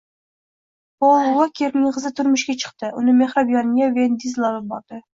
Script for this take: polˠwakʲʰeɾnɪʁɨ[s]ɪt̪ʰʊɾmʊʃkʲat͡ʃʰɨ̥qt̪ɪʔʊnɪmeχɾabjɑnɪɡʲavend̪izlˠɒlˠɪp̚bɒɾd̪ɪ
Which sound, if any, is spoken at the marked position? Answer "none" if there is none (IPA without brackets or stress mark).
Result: z